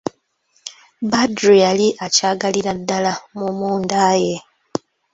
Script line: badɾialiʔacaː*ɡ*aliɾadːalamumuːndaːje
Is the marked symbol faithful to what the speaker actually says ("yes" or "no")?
yes